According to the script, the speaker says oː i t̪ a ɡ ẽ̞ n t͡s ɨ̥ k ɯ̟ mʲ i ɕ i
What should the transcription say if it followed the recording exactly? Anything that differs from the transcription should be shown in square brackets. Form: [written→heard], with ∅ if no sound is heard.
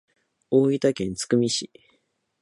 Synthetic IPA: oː i t̪ a [ɡ→k] ẽ̞ n t͡s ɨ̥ k ɯ̟ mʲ i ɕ i